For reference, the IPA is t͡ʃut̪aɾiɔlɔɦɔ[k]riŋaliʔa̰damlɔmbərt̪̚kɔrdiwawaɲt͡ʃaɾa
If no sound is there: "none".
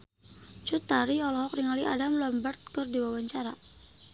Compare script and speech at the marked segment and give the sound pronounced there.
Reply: k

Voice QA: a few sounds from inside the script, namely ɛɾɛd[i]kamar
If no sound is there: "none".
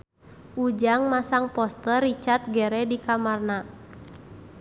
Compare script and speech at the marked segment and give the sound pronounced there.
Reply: i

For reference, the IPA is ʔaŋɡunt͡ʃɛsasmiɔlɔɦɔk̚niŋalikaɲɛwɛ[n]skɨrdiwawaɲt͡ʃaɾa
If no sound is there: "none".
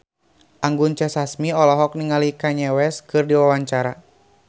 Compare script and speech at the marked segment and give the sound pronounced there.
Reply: none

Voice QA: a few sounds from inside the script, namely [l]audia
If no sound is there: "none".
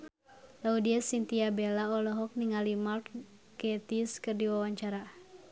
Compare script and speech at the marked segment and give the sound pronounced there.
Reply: l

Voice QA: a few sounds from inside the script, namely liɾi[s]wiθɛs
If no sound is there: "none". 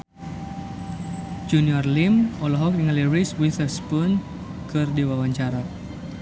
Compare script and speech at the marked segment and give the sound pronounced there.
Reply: s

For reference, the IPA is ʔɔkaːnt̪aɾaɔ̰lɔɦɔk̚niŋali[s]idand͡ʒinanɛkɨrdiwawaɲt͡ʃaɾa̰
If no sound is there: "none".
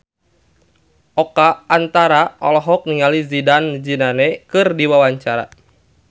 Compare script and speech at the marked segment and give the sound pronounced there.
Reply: z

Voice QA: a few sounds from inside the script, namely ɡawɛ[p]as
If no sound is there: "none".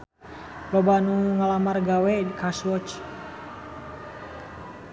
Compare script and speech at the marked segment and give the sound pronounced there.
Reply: k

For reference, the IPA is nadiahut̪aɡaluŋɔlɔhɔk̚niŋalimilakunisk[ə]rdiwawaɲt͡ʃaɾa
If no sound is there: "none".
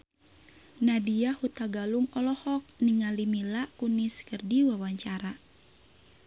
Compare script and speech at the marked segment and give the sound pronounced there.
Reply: ə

